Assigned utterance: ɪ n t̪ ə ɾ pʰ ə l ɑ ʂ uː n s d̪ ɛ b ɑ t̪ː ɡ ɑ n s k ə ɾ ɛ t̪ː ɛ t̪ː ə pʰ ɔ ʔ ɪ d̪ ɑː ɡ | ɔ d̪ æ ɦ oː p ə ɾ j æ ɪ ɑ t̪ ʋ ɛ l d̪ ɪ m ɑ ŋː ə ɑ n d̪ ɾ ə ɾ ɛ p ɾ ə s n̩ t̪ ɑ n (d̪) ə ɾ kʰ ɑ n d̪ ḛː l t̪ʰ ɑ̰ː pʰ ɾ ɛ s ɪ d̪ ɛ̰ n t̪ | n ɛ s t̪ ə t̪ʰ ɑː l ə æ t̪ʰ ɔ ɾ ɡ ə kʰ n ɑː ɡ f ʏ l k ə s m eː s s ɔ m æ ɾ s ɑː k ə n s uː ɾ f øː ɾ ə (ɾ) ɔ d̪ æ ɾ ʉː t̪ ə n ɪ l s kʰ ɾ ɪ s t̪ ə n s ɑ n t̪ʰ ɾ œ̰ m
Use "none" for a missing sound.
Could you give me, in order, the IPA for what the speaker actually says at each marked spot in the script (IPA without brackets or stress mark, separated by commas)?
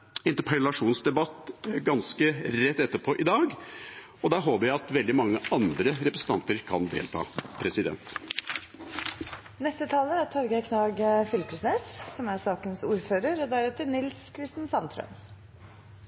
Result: t̪, ɾ